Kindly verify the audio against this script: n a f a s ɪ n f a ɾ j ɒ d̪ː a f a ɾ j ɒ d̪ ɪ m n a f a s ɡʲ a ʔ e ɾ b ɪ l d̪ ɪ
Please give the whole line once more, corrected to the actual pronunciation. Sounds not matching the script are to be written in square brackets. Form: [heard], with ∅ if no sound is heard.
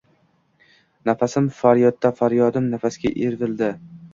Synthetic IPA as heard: n a f a s ɪ [m] f a ɾ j ɒ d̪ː a f a ɾ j ɒ d̪ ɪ m n a f a s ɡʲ a ʔ e ɾ [v] ɪ l d̪ ɪ